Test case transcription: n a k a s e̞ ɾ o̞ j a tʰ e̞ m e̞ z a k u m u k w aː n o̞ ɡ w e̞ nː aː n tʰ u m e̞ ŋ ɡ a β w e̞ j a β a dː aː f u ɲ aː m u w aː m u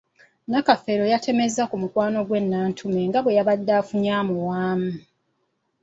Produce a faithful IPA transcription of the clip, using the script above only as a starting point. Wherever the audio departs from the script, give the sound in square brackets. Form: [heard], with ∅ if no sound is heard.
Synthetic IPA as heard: n a k a [f] e̞ ɾ o̞ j a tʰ e̞ m e̞ z a k u m u k w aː n o̞ ɡ w e̞ nː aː n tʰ u m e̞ ŋ ɡ a β w e̞ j a β a dː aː f u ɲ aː m u w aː m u